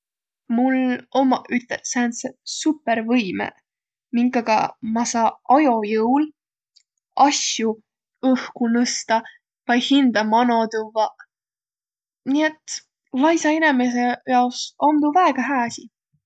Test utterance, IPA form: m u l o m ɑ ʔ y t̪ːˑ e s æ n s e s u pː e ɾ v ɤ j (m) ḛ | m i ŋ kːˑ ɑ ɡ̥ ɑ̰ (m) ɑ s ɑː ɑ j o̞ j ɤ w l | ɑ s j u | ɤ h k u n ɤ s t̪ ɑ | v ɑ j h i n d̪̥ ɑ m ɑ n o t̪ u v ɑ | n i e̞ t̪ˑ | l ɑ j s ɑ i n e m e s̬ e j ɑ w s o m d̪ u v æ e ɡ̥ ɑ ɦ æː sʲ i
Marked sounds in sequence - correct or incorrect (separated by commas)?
correct, correct